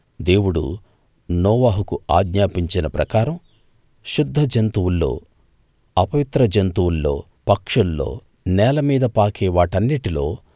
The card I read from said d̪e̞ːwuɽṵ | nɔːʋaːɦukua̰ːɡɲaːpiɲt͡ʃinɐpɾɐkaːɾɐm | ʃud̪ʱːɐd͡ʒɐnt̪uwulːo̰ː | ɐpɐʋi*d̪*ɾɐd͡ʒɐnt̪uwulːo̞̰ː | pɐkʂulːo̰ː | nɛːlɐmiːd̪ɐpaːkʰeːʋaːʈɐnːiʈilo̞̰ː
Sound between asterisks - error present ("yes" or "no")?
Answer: yes